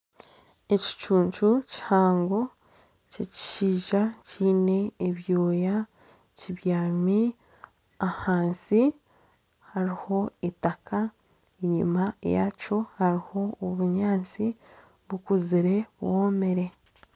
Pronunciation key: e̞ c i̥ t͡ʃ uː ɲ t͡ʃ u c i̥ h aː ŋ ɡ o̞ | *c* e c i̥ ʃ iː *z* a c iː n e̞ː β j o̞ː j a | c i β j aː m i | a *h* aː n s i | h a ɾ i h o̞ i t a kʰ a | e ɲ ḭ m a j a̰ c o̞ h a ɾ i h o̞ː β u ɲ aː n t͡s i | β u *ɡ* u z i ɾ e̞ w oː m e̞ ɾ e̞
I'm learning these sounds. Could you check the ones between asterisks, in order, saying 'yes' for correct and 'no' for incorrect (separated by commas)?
yes, no, yes, no